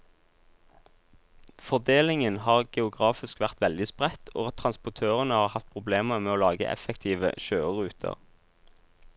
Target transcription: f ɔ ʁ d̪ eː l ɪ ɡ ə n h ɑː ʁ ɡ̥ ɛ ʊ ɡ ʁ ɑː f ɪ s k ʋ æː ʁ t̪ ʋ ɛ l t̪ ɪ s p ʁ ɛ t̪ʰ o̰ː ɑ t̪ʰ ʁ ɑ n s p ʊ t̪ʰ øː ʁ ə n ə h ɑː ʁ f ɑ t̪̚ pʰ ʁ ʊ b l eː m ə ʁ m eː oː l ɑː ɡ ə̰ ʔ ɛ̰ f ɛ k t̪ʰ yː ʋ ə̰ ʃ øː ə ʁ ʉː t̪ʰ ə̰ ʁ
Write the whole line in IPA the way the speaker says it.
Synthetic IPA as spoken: f ɔ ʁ d̪ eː l ɪ ŋ ə n h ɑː ʁ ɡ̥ ɛ ʊ ɡ ʁ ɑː f ɪ s k ʋ æ ʁ t̪ ʋ ɛ l d̪ ɪ s p ʁ ɛ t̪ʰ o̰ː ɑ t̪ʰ ʁ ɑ n s p ʊ t̪ʰ øː ʁ ə n ə h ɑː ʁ h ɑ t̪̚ pʰ ʁ ʊ b l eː m ə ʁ m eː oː l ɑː ɡ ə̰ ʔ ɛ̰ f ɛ k t̪ʰ iː ʋ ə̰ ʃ øː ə ʁ ʉː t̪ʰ ə̰ ʁ

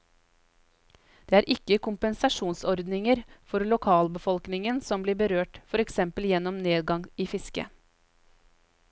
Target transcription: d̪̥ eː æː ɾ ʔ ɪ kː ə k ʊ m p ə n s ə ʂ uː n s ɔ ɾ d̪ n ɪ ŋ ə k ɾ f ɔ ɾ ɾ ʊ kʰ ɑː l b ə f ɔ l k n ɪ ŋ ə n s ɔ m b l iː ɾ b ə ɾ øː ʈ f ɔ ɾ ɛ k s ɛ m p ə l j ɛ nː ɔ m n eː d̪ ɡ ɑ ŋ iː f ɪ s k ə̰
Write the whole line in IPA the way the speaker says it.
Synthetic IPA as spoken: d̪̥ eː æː ɾ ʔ ɪ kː ə k ʊ m p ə n s ɑ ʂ uː n s ɔ ɾ d̪ n ɪ ŋ ə ɾ f ɔ ɾ l ʊ kʰ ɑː l b ə f ɔ l k n ɪ ŋ ə n s ɔ m b l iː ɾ b ə ɾ øː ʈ f ɔ ɾ ɛ k s ɛ m p ə l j ɛ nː ɔ m n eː d̪ ɡ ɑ ŋ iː f ɪ s k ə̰

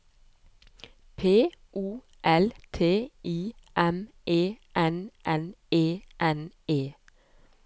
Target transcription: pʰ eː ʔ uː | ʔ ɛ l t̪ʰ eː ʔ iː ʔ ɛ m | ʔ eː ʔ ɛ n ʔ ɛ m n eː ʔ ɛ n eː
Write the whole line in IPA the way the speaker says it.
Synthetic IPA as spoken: pʰ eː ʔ uː | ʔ ɛ l t̪ʰ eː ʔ iː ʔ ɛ m | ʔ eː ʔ ɛ n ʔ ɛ n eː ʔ ɛ n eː

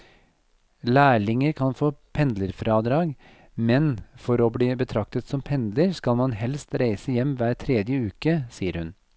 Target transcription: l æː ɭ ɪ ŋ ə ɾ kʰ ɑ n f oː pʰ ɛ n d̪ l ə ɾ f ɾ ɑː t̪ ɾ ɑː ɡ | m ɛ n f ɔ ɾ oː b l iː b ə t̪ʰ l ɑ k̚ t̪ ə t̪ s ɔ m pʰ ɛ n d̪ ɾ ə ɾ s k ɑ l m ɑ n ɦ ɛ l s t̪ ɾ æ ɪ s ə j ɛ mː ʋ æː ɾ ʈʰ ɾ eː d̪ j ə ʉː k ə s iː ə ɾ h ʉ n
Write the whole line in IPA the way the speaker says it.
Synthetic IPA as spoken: l æː ɭ ɪ ŋ ə ɾ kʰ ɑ n f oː pʰ ɛ n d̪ l ə ɾ f ɾ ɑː d̪ ɾ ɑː ɡ | m ɛ n f ɔ ɾ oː b l iː b ə t̪ʰ ɾ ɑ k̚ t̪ ə t̪ s ɔ m pʰ ɛ n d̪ l ə ɾ s k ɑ l m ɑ n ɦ ɛ l s t̪ ɾ æ ɪ s ə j ɛ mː ʋ æː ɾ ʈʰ ɾ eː d̪ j ə ʉː k ə s iː ə ɾ h ʉ n

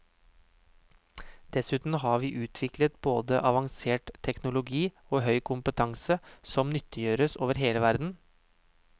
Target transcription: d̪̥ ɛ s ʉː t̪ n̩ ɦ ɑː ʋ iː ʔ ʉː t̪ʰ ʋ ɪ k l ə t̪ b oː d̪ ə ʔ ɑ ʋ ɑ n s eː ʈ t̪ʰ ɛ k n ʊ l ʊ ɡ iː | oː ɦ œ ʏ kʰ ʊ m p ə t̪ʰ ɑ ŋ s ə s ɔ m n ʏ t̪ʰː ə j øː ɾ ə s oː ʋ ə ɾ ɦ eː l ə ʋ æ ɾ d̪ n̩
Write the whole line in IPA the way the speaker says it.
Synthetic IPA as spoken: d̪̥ ɛ s ʉː t̪ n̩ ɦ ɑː ʋ iː ʔ ʉː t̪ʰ ʋ ɪ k l ə t̪ b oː d̪ ə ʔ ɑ ʋ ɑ ŋ s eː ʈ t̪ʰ ɛ k n ʊ l ʊ ɡ iː | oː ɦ œ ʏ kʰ ʊ m p ə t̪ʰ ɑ ŋ s ə s ɔ m n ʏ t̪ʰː ə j øː ɾ ə s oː ʋ ə ɾ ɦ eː l ə ʋ æ ɾ d̪ n̩

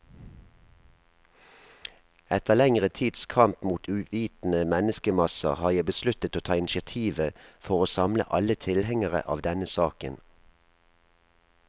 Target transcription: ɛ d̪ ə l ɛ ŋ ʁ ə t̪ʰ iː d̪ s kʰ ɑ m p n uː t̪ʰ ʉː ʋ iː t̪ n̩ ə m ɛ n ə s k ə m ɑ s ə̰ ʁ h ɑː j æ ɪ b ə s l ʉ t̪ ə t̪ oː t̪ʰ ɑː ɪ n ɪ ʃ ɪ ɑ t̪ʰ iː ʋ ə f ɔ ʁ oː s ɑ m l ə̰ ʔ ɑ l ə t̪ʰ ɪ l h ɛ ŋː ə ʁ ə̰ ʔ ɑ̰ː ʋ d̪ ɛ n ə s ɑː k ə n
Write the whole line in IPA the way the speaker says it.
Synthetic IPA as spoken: ɛ t̪ ə l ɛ ŋ ʁ ə t̪ʰ iː d̪ s kʰ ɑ m p m uː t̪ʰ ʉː ʋ iː t̪ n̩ ə m ɛ n ə s k ə m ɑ s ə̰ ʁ h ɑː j æ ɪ b ə s l ʉ t̪ ə t̪ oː t̪ʰ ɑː ɪ n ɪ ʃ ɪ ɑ t̪ʰ iː ʋ ə f ɔ ʁ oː s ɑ m l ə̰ ʔ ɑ l ə t̪ʰ ɪ l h ɛ ŋ ə ʁ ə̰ ʔ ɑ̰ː ʋ d̪ ɛ n ə s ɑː k ə n

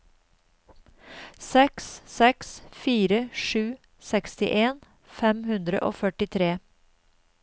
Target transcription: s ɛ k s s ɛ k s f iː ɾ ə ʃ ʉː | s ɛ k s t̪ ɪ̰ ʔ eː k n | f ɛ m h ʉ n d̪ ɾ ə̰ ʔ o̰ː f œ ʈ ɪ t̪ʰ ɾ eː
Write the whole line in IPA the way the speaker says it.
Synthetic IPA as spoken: s ɛ k s s ɛ k s f iː ɾ ə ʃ ʉː | s ɛ k s t̪ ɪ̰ ʔ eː n | f ɛ m h ʉ n d̪ ɾ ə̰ ʔ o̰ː f œ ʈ ɪ t̪ʰ ɾ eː

